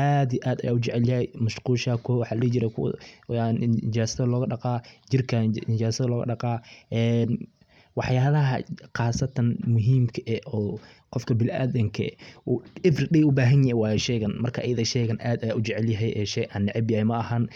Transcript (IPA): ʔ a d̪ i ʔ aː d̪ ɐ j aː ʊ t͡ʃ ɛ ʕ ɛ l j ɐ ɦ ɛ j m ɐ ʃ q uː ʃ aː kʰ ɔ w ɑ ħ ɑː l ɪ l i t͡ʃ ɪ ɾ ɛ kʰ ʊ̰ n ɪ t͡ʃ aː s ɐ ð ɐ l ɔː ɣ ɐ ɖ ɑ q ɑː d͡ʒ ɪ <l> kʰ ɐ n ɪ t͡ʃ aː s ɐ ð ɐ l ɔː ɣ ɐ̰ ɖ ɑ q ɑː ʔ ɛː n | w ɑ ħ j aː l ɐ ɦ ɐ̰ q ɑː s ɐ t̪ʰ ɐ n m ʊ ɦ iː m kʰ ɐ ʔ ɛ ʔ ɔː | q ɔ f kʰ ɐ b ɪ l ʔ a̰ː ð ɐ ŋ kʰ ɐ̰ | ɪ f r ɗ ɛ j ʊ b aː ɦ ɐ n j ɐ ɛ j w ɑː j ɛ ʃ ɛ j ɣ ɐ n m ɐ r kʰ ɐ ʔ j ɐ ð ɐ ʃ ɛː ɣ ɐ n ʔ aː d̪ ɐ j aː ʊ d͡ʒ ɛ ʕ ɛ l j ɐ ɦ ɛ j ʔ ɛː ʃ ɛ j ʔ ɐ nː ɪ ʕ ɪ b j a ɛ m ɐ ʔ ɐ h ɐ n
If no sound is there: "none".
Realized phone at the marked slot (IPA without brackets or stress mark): r